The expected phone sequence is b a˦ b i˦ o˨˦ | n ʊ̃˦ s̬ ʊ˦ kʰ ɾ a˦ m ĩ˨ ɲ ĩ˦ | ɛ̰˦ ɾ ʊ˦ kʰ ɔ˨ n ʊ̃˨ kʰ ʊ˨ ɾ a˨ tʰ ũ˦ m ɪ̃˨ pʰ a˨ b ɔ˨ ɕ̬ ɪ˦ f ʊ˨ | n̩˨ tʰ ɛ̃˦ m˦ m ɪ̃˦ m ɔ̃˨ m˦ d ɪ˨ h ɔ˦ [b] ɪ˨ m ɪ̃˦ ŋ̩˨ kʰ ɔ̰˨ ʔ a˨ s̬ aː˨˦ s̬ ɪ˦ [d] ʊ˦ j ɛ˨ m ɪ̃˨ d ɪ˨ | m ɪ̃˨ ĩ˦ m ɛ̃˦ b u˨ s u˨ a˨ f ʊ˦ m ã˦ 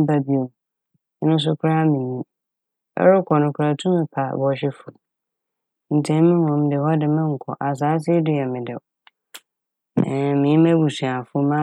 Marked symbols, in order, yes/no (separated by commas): no, yes